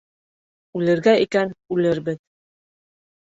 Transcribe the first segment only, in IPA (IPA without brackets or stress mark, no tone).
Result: ʉ